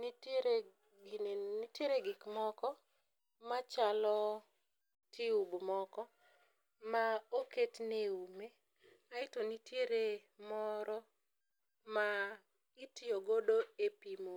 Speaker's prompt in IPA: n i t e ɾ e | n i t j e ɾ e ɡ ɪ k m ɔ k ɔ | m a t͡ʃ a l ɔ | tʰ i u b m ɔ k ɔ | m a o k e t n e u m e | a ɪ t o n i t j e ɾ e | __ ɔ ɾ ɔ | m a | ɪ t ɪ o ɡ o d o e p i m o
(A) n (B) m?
B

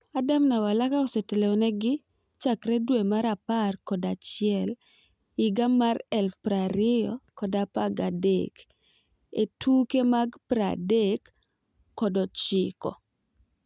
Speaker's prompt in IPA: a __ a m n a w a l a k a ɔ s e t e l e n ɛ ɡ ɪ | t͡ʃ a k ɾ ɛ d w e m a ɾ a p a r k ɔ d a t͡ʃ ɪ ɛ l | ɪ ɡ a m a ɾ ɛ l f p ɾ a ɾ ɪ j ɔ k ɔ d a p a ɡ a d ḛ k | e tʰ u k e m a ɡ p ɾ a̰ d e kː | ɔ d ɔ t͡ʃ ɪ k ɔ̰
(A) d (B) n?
A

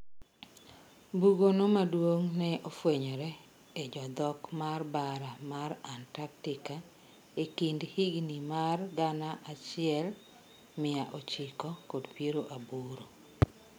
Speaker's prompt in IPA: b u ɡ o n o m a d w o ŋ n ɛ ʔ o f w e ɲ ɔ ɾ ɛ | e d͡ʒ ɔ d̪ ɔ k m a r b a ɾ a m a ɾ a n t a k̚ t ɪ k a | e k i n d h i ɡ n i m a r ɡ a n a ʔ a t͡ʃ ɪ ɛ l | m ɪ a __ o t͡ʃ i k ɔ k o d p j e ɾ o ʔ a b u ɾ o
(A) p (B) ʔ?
B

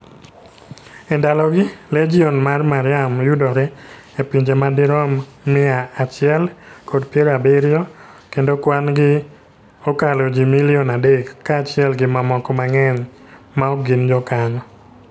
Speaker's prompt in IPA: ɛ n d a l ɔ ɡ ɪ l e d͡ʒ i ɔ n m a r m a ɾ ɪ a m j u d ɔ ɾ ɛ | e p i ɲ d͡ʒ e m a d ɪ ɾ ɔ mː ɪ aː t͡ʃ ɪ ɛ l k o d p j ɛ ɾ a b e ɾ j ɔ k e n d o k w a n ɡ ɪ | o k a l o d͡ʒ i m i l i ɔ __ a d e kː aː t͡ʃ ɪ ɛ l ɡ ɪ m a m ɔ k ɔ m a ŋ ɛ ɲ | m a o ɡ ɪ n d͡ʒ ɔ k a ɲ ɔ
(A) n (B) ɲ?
A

